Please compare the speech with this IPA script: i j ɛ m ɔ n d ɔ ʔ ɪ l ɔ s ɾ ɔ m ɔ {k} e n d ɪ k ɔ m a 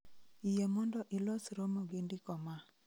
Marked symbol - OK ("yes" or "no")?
no